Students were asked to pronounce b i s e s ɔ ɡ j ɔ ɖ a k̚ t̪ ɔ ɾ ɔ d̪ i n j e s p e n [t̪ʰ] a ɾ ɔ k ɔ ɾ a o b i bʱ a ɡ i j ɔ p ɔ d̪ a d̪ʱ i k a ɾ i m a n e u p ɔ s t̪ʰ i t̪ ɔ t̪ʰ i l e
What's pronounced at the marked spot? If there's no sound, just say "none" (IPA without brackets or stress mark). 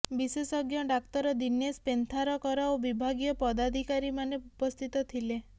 t̪ʰ